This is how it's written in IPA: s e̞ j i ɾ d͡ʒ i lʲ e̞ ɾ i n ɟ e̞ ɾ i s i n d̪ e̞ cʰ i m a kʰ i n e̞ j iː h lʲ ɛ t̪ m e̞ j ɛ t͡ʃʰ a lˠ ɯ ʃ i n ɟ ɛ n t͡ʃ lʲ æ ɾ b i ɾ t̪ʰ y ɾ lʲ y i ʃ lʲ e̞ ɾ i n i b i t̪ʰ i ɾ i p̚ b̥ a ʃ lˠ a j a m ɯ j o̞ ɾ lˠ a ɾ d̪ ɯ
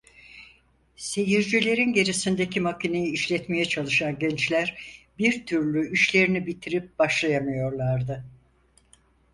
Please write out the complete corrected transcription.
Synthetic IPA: s e̞ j i ɾ d͡ʒ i lʲ e̞ ɾ i n ɟ e̞ ɾ i s i n d̪ e̞ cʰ i m a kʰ i n e̞ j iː ʃ lʲ ɛ t̪ m e̞ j ɛ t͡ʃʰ a lˠ ɯ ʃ a n ɟ ɛ n t͡ʃ lʲ æ ɾ b i ɾ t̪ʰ y ɾ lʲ y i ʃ lʲ e̞ ɾ i n i b i t̪ʰ i ɾ i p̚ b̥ a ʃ lˠ a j a m ɯ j o̞ ɾ lˠ a ɾ d̪ ɯ